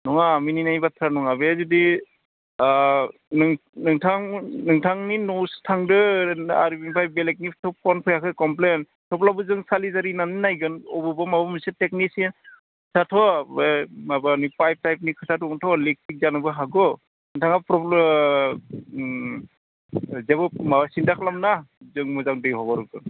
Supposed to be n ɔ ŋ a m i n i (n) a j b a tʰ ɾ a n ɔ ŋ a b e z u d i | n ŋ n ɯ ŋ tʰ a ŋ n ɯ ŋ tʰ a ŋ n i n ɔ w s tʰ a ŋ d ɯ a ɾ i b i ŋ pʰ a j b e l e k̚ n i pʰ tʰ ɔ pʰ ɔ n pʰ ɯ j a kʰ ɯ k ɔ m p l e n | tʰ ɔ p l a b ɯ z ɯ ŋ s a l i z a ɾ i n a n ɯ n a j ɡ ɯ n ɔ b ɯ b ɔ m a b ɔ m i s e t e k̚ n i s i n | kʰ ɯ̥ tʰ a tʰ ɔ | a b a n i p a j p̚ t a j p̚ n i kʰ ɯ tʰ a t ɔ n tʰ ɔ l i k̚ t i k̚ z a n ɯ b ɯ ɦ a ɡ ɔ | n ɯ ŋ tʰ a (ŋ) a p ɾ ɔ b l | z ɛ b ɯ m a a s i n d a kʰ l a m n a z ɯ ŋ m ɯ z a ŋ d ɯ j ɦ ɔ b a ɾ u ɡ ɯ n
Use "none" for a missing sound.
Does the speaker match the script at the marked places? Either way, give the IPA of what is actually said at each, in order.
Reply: n, ŋ

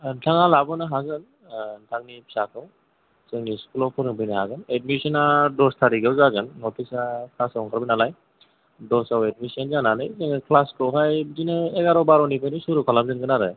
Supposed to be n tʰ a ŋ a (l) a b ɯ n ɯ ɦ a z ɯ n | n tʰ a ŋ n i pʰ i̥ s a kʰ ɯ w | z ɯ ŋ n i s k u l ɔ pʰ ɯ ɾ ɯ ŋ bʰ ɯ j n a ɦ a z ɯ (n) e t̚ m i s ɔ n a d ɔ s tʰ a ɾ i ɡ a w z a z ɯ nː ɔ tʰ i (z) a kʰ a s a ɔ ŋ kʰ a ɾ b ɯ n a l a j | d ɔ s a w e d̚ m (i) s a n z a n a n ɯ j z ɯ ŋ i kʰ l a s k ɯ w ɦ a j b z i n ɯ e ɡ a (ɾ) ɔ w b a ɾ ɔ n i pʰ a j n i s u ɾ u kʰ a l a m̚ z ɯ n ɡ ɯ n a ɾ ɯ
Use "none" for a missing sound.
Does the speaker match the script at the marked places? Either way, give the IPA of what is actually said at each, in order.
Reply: l, n, s, i, ɾ

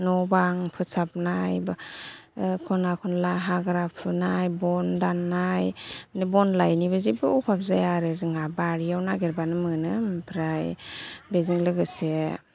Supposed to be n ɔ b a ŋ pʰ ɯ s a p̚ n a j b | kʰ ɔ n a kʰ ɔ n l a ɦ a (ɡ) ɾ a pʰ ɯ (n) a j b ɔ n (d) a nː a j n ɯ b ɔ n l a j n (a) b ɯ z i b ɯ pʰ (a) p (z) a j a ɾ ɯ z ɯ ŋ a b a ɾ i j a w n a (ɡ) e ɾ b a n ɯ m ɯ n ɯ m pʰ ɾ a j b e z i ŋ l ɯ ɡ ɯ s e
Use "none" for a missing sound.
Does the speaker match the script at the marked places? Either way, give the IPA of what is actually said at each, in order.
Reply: ɡ, n, d, i, a, z, ɡ

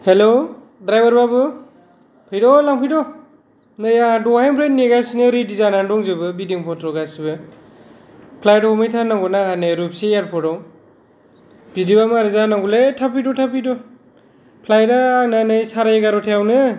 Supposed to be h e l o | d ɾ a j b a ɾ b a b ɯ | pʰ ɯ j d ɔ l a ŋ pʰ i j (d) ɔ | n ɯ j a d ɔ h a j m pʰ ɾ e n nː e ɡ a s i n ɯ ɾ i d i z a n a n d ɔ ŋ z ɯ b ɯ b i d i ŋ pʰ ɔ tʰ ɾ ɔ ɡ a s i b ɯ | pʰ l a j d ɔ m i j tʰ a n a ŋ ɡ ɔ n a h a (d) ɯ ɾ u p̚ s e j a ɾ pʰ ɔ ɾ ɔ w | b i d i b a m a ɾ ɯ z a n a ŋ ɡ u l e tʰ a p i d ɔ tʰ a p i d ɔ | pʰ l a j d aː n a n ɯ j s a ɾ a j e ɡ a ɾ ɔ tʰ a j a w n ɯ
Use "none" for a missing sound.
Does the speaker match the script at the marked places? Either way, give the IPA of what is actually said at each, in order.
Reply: d, n

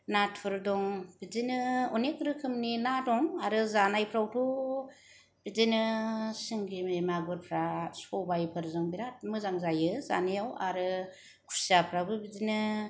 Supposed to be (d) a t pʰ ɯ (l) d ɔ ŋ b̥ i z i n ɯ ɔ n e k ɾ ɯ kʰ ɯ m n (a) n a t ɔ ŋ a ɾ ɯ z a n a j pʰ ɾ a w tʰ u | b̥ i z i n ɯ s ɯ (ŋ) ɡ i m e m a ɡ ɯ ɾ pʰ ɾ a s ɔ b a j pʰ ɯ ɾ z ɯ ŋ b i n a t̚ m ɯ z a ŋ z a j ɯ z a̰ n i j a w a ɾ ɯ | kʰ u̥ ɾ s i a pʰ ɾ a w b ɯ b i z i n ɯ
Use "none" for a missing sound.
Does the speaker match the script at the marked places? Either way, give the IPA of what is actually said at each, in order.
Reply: n, ɾ, i, ŋ

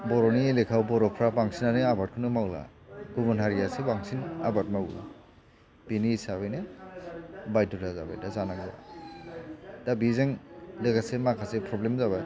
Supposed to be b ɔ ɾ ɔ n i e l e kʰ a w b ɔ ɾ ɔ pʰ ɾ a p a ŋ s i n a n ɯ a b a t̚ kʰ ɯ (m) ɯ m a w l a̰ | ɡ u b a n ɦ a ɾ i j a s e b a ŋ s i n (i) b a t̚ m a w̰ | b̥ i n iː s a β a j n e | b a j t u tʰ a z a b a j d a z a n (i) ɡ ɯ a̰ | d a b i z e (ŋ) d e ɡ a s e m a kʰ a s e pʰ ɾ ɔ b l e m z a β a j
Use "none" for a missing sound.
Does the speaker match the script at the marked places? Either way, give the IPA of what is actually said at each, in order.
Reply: n, a, a, ŋ

